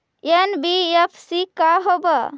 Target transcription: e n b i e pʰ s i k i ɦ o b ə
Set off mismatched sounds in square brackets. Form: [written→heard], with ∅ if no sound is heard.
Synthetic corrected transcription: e n b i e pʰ s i k [i→a] ɦ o b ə